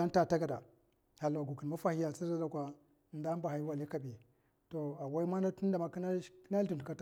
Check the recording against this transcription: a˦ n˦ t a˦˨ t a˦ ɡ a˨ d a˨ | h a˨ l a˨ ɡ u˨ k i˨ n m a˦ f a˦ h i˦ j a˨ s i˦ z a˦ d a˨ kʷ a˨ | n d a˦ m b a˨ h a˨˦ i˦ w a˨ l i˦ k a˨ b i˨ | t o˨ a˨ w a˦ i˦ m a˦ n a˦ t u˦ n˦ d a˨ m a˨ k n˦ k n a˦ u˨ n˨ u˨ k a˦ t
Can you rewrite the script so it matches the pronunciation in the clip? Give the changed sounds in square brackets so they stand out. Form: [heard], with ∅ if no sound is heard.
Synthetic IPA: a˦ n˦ t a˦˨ t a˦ ɡ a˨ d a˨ | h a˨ l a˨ ɡ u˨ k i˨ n m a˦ f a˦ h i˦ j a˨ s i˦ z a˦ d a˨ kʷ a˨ | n d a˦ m b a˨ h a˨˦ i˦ w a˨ l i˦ k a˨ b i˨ | t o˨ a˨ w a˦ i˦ m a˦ n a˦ t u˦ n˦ d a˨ m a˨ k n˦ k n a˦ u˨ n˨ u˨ k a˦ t